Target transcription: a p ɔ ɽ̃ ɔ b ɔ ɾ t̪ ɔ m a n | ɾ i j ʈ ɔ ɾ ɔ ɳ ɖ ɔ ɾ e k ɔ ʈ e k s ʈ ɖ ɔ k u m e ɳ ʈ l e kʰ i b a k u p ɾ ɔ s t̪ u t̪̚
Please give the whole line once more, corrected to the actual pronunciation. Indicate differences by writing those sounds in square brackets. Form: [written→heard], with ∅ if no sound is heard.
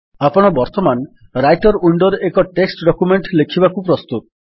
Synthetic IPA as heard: a p ɔ ɽ̃ ɔ b ɔ ɾ t̪ ɔ m a n | ɾ [i→a] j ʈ ɔ ɾ [ɔ→u] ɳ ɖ ɔ ɾ e k ɔ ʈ e k s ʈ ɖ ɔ k u m e ɳ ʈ l e kʰ i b a k u p ɾ ɔ s t̪ u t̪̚

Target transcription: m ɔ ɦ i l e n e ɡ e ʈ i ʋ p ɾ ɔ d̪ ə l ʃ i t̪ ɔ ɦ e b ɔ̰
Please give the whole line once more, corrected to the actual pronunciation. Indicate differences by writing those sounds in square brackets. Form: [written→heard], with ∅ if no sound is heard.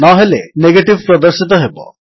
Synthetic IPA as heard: [m→n] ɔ ɦ [i→e] l e n e ɡ e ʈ i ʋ p ɾ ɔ d̪ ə [l→ɾ] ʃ i t̪ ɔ ɦ e b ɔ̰

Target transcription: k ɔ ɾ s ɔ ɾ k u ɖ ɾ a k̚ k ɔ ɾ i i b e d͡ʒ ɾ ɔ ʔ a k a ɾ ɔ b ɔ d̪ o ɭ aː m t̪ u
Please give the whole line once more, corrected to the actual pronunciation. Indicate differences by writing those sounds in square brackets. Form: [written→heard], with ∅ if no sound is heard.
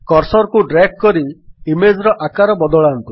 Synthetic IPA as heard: k ɔ ɾ s ɔ ɾ k u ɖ ɾ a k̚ k ɔ ɾ i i [b→m] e d͡ʒ ɾ ɔ ʔ a k a ɾ ɔ b ɔ d̪ [o→ɔ] ɭ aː [m→n] t̪ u

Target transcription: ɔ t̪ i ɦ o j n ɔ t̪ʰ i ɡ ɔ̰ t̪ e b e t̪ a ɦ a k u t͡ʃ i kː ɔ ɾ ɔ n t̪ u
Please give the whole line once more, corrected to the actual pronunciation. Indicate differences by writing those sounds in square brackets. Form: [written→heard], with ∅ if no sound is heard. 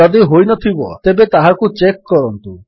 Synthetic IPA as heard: ɔ [t̪→d̪] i ɦ o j n ɔ t̪ʰ i [ɡ→b] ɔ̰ t̪ e b e t̪ a ɦ a k u t͡ʃ [i→e] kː ɔ ɾ ɔ n t̪ u

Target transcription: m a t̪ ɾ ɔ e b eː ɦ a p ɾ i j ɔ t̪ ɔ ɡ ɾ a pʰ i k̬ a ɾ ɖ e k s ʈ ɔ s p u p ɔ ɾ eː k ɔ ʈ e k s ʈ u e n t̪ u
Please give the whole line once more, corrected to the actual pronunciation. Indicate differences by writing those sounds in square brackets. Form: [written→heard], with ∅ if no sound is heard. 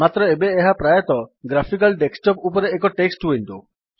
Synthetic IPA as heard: m a t̪ ɾ ɔ e b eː ɦ a p ɾ [i→a] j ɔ t̪ ɔ ɡ ɾ a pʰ i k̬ a [ɾ→l] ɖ e k s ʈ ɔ [s→∅] p u p ɔ ɾ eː k ɔ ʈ e k s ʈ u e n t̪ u

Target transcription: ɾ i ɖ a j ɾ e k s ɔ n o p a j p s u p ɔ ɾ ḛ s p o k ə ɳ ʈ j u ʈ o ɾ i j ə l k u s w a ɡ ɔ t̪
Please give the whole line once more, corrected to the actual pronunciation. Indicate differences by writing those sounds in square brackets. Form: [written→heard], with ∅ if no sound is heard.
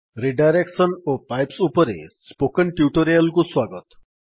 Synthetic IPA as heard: ɾ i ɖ a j ɾ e k s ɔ n o p a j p s u p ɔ ɾ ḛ s p o k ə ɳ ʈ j u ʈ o ɾ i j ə l k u s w a ɡ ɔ t̪

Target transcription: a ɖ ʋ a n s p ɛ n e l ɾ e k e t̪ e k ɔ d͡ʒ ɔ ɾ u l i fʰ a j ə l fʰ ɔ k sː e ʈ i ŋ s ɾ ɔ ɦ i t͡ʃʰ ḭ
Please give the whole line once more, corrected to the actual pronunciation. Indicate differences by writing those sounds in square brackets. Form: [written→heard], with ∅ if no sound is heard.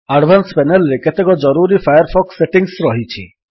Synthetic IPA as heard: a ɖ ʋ a n s p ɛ n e l ɾ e k e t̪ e k ɔ d͡ʒ ɔ ɾ u [l→ɾ] i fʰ a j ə [l→ɾ] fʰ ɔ k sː e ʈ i ŋ s ɾ ɔ ɦ i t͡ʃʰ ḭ

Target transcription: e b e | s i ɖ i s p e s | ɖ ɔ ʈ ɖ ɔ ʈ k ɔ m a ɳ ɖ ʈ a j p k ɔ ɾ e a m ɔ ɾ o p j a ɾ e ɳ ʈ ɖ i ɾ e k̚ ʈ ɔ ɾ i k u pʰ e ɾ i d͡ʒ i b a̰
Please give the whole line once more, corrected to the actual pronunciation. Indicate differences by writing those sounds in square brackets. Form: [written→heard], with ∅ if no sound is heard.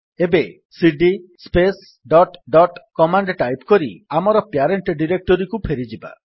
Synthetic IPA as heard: e b e | s i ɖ i s p e s | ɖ ɔ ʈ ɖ ɔ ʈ k ɔ m a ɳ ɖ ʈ a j p k ɔ ɾ [e→i] a m ɔ ɾ [o→ɔ] p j a ɾ e ɳ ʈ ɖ i ɾ e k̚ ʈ ɔ ɾ i k u pʰ e ɾ i d͡ʒ i b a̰

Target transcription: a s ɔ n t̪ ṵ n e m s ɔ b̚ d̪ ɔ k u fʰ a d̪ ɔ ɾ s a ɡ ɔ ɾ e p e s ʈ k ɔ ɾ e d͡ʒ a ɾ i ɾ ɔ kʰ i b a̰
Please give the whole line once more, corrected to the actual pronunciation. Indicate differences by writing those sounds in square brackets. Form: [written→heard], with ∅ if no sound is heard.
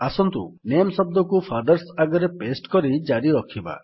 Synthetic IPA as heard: a s ɔ n t̪ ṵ n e m s ɔ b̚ d̪ ɔ k u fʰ a d̪ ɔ ɾ s a ɡ ɔ ɾ e p e s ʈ k ɔ ɾ [e→i] d͡ʒ a ɾ i ɾ ɔ kʰ i b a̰

